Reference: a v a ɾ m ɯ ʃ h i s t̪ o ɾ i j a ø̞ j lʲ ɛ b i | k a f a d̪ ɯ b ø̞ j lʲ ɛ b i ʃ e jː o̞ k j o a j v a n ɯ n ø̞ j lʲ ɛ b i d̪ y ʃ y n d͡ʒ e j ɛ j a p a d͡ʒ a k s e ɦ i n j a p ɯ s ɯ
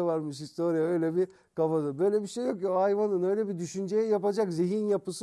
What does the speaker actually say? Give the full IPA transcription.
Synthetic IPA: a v a ɾ m ɯ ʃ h i s t̪ o ɾ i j a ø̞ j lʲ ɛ b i | k a f a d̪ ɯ b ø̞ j lʲ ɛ b i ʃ e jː o̞ k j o a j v a n ɯ n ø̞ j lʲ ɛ b i d̪ y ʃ y n d͡ʒ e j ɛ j a p a d͡ʒ a k z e ɦ i n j a p ɯ s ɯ